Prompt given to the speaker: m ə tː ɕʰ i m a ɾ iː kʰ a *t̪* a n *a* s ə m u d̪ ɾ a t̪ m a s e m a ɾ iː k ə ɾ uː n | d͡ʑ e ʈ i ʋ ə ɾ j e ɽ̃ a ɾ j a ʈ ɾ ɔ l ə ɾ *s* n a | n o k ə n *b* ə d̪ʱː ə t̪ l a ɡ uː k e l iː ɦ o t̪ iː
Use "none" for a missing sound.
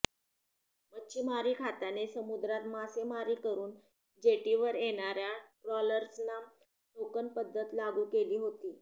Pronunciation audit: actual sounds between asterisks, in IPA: t̪, e, s, p

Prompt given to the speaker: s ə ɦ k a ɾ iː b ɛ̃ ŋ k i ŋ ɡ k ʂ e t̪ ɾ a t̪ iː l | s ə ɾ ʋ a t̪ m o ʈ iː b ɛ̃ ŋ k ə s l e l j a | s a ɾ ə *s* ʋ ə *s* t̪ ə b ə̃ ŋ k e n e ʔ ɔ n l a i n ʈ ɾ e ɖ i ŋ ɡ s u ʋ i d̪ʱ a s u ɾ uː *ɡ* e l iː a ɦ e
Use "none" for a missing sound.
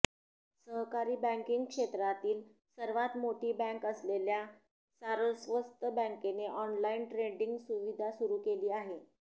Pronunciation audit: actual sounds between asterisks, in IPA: s, s, k

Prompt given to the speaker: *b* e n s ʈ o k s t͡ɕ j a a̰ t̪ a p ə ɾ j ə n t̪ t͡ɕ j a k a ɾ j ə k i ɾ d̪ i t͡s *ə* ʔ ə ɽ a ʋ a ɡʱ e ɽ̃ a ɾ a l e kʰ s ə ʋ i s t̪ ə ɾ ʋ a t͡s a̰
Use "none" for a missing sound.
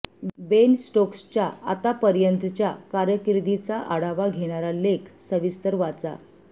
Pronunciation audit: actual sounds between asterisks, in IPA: b, a

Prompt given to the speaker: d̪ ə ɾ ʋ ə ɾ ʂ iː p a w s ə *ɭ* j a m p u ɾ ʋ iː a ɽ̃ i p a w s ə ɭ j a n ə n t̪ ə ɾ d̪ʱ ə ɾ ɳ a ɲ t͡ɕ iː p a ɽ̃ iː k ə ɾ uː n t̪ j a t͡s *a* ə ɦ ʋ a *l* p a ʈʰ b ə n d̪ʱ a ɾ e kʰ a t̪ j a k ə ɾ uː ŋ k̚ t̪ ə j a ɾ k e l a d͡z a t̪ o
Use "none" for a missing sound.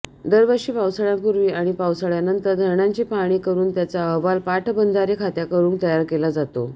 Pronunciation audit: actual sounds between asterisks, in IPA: ɭ, a, l

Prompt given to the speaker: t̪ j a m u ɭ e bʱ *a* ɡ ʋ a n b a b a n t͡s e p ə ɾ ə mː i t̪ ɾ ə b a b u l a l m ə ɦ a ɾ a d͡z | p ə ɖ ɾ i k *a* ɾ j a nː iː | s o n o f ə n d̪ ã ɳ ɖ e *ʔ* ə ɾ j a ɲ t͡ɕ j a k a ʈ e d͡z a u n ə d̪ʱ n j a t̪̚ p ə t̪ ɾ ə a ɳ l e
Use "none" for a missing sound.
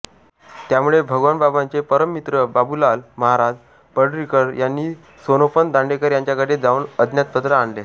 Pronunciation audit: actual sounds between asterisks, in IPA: ə, ə, k

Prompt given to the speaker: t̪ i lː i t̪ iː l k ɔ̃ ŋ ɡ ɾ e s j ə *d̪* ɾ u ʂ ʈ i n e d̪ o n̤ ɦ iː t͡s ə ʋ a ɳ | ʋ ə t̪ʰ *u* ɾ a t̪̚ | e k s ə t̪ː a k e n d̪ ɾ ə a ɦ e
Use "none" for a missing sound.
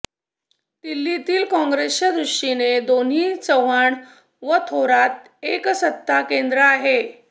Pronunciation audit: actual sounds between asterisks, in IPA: d̪, o

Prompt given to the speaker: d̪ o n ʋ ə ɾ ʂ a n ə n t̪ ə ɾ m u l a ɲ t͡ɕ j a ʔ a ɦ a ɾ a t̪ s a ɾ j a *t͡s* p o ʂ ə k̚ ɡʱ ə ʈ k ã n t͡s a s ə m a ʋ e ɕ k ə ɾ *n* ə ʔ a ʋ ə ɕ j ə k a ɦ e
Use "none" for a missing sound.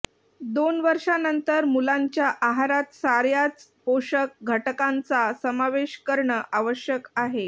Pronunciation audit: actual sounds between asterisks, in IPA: t͡s, ɳ

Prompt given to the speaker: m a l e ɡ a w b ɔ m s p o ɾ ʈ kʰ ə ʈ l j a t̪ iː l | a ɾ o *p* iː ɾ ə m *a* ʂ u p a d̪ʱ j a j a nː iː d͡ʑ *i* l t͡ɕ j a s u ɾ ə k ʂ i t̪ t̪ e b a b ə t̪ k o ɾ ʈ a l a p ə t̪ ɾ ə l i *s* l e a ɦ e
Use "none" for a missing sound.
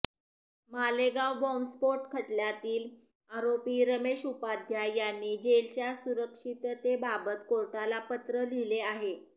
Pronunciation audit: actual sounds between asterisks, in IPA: p, e, e, none

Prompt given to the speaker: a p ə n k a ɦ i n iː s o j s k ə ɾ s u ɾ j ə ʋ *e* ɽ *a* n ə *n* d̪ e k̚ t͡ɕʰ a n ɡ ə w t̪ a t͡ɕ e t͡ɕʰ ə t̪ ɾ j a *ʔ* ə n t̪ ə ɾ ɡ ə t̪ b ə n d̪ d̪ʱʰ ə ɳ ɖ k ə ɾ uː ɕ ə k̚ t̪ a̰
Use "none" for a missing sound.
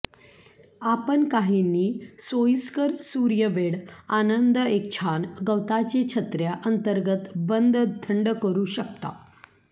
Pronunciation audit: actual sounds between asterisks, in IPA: e, a, n, ʔ

